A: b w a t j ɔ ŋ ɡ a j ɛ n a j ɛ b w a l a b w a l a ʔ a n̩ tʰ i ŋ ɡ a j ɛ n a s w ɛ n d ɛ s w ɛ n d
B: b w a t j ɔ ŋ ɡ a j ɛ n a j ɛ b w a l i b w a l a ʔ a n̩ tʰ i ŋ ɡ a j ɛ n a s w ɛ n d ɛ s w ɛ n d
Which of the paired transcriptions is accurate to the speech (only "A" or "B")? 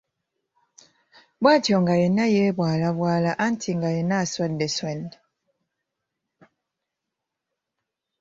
A